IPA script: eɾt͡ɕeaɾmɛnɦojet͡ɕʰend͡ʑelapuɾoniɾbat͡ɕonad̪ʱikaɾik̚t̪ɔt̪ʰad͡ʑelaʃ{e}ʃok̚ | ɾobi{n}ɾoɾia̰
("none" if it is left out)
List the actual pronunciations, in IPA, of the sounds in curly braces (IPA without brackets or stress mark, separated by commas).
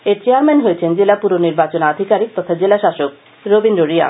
a, n